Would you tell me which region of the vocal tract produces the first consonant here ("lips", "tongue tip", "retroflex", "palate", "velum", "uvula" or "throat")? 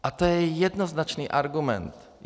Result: throat